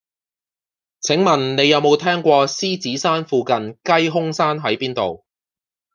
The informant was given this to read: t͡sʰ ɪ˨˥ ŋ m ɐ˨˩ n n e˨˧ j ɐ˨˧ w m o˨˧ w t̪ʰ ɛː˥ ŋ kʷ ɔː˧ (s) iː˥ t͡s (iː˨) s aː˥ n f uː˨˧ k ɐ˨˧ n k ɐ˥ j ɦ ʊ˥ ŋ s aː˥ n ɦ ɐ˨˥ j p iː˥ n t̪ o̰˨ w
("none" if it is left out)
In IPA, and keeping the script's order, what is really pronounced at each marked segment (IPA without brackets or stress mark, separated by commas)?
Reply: s, iː˨˥